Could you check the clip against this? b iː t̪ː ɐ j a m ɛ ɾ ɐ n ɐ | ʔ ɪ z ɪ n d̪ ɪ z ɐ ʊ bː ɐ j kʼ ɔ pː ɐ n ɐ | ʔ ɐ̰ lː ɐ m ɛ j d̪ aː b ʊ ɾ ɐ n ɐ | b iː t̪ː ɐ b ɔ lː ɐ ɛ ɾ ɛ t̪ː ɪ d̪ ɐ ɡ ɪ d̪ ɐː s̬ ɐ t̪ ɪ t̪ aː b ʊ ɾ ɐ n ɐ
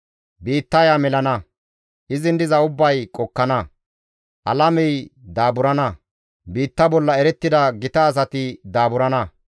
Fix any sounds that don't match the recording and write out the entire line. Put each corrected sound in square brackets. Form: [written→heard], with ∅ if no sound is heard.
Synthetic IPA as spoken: b iː t̪ː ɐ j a m ɛ [ɾ→l] ɐ n ɐ | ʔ ɪ z ɪ n d̪ ɪ z ɐ ʊ bː ɐ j kʼ ɔ [pː→kː] ɐ n ɐ | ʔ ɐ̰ [lː→l] ɐ m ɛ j d̪ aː b ʊ ɾ ɐ n ɐ | b iː t̪ː ɐ b ɔ lː ɐ ɛ ɾ ɛ t̪ː ɪ d̪ ɐ ɡ ɪ [d̪→t̪] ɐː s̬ ɐ t̪ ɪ [t̪→d̪] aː b ʊ ɾ ɐ n ɐ